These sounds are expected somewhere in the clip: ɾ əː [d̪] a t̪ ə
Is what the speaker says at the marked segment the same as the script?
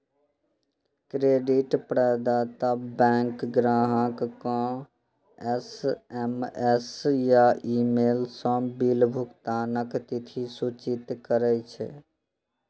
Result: yes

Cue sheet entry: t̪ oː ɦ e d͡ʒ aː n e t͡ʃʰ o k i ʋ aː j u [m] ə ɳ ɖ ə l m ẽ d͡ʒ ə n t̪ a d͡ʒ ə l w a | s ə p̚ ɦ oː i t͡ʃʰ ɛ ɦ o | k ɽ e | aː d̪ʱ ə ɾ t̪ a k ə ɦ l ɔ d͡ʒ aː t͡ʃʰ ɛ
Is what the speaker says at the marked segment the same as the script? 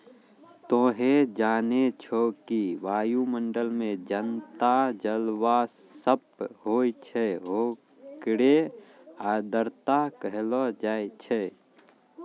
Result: yes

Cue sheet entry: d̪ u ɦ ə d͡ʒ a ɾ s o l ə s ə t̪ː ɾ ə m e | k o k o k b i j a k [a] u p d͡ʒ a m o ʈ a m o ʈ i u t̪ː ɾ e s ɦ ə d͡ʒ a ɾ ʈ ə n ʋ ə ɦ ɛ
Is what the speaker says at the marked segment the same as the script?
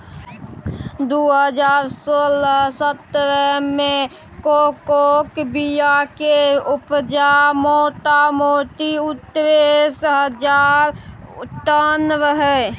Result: no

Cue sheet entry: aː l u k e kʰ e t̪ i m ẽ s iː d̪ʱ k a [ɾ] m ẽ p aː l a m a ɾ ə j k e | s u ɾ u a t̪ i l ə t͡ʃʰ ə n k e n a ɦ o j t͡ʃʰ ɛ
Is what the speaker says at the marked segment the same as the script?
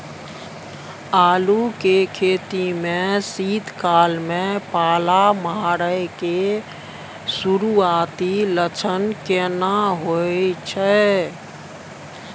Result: no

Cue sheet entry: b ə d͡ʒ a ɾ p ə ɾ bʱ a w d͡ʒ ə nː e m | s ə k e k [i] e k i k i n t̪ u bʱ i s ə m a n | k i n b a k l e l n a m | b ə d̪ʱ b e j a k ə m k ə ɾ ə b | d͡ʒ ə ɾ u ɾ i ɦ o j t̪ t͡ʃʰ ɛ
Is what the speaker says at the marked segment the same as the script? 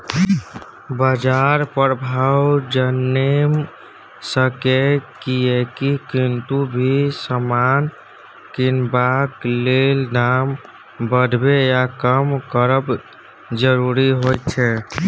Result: yes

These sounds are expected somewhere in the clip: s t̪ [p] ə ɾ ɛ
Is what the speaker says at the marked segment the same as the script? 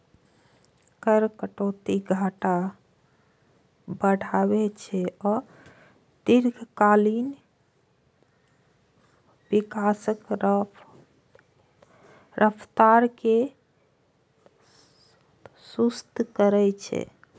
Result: no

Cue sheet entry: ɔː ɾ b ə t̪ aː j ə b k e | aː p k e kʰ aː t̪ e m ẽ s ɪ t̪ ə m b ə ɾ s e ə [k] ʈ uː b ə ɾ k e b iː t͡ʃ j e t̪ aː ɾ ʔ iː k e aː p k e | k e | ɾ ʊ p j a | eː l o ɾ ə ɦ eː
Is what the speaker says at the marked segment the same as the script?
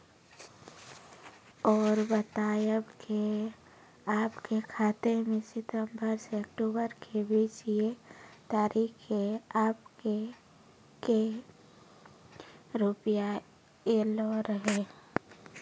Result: yes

